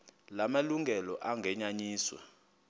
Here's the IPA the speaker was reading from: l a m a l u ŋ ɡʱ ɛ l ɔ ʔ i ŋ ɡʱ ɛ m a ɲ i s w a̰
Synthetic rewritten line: l a m a l u ŋ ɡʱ ɛ l ɔ ʔ a ŋ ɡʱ ɛ ɲ a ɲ iː s w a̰

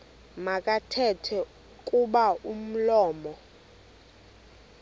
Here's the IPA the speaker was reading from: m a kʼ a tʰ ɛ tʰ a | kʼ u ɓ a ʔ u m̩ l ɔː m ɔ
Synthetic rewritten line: m a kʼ a tʰ ɛ tʰ ɛ | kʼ u ɓ a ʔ u m̩ l ɔː m ɔ

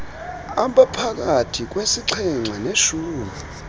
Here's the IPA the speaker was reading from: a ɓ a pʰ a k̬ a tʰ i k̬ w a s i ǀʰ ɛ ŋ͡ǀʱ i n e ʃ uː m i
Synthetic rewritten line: a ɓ a pʰ a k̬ a tʰ i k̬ w e s i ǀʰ ɛ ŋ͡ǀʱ a n e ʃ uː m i

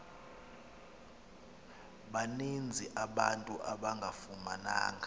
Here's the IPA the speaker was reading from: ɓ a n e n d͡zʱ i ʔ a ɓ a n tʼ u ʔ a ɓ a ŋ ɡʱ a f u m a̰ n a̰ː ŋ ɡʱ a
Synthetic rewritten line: ɓ a n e n d͡zʱ i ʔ a ɓ a n tʼ u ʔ a ɓ a ŋ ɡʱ a f u m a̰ n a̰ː ŋ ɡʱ a

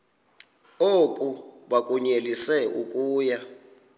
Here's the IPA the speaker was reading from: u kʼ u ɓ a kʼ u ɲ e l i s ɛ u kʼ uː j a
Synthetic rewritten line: o kʼ u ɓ a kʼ u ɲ e l i s ɛ u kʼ uː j a

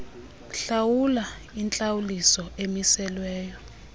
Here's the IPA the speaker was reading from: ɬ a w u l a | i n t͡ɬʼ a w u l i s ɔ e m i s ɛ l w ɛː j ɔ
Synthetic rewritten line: ɬ a w u l a | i n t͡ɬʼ a w u l i s ɔ e m i s ɛ l w ɛː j ɔ

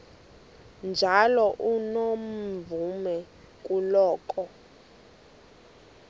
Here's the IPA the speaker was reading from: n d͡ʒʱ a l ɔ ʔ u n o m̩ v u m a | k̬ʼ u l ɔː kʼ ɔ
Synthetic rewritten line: n d͡ʒʱ a l ɔ ʔ u n o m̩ v u m ɛ | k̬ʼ u l ɔː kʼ ɔ

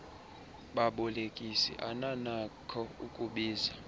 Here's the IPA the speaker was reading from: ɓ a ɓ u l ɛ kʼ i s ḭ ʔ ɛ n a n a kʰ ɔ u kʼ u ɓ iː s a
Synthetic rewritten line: ɓ a ɓ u l e kʼ i s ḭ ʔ a n a n a kʰ ɔ u kʼ u ɓ iː z a

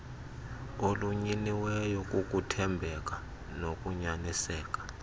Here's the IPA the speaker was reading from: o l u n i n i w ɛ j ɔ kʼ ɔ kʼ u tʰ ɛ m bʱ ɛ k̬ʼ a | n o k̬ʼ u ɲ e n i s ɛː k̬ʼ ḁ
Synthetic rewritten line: o l u ɲ i n i w ɛ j ɔ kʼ u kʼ u tʰ ɛ m bʱ ɛ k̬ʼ a | n o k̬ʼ u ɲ a n i s ɛː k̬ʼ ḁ

